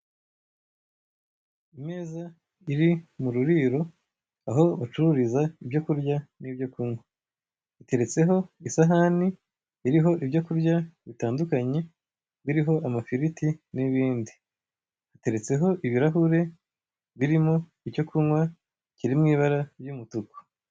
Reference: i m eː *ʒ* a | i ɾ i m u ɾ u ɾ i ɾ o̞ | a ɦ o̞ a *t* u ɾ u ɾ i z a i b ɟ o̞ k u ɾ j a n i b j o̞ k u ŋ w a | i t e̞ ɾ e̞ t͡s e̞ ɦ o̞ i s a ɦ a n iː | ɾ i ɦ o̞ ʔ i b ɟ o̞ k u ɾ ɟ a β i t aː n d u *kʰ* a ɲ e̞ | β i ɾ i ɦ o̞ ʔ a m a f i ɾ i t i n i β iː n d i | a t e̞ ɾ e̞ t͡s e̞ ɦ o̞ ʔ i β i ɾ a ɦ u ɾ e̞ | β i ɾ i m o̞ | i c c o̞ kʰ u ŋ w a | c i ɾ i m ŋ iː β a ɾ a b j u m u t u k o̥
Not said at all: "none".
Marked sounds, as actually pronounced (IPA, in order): z, t͡ʃ, k

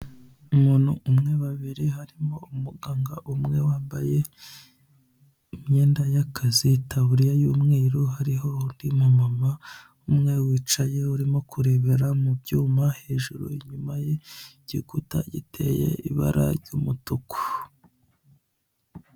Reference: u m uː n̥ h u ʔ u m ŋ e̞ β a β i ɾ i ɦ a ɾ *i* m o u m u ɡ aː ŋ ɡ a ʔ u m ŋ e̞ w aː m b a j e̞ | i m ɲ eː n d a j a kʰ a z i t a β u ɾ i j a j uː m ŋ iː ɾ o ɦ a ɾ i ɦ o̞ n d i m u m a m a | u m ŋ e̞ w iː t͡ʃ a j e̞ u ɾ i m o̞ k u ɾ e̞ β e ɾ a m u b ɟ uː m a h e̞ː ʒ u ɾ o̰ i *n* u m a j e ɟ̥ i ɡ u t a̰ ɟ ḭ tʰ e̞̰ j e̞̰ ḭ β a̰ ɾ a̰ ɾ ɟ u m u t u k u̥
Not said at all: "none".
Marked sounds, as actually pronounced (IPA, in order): i, ɲ

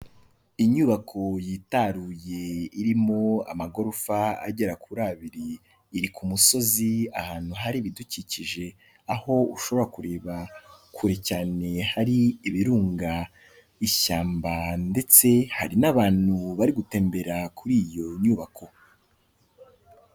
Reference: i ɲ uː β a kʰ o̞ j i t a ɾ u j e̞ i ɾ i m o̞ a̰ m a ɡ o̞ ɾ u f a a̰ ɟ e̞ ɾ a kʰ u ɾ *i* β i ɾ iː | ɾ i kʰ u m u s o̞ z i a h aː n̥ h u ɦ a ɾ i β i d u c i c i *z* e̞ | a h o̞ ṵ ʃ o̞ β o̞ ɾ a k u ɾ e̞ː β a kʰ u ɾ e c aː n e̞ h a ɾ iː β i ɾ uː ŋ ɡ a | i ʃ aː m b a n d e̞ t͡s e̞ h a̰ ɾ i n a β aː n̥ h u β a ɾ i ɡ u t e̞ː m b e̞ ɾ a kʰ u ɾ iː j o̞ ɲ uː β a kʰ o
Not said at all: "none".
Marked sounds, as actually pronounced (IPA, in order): a, ʒ

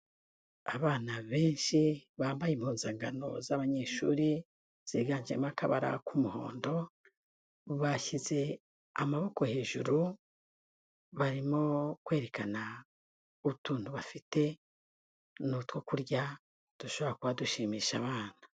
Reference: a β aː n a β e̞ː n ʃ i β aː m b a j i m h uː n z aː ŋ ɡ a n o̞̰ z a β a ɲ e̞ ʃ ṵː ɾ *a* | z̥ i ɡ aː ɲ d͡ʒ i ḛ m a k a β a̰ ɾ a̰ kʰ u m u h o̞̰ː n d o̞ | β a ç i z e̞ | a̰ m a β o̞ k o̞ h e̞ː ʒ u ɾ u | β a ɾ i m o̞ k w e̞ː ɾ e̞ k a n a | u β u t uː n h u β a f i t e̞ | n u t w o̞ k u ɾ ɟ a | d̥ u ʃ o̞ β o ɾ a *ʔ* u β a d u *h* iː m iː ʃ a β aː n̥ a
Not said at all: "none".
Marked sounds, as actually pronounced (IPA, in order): i, k, ʃ

